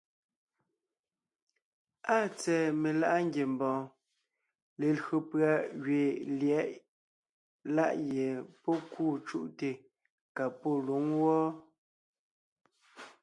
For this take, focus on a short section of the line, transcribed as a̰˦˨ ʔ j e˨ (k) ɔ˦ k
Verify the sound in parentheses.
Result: incorrect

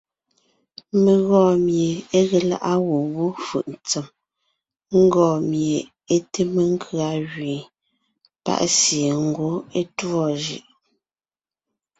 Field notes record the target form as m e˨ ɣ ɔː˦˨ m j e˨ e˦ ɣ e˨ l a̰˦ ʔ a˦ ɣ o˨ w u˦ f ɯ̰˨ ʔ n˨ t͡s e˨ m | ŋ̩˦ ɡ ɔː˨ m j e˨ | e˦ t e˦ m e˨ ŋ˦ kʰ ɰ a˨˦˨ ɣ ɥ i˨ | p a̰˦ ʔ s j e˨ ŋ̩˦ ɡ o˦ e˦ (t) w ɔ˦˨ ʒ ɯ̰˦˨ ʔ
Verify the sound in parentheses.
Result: correct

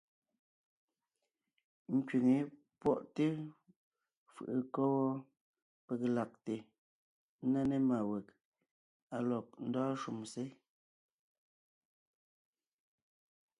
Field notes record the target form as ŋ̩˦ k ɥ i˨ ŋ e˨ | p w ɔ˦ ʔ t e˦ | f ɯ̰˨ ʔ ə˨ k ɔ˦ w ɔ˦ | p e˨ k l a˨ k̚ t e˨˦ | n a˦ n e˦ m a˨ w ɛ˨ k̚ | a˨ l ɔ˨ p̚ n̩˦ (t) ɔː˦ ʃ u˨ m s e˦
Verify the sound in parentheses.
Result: incorrect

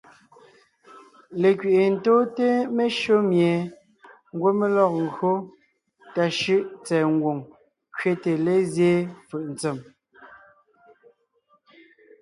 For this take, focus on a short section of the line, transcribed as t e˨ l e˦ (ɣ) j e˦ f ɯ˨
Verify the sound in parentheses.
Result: incorrect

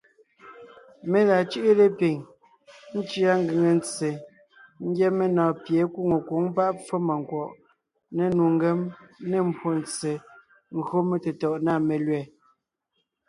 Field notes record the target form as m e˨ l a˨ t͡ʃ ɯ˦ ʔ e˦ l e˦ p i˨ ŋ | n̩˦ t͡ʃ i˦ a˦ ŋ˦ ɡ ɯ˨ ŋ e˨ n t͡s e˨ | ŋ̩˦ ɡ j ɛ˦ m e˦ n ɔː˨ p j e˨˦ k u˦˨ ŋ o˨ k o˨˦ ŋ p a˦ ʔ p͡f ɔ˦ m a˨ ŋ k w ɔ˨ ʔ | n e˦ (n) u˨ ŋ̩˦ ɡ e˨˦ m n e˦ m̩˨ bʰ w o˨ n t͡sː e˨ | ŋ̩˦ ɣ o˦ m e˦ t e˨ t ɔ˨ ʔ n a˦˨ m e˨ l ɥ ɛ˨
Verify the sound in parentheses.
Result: correct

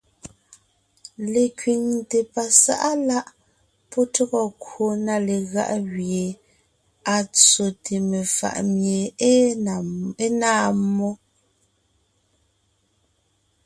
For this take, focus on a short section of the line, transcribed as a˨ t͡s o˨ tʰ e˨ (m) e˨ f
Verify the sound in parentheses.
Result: correct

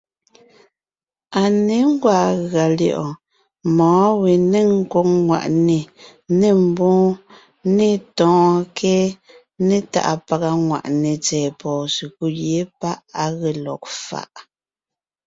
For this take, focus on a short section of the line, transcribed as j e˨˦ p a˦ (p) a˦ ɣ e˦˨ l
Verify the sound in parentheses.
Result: incorrect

